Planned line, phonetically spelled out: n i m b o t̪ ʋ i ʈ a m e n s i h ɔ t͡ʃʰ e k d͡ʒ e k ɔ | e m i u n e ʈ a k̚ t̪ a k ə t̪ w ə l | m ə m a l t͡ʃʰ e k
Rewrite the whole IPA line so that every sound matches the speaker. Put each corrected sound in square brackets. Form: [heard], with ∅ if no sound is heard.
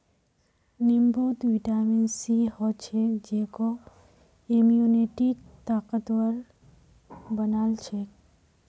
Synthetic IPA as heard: n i m b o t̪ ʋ i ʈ a m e n s i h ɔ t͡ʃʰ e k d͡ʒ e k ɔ | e m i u n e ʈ [i] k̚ t̪ a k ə t̪ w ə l | [b] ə [n] a l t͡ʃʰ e k